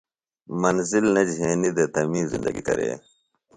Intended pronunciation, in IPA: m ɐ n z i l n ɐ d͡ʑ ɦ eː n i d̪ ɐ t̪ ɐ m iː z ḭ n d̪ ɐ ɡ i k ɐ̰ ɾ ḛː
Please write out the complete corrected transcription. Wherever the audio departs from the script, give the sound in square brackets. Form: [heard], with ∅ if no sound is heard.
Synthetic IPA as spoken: m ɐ n z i l n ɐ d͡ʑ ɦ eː n i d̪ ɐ t̪ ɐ m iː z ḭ n d̪ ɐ ɡ i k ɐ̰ ɾ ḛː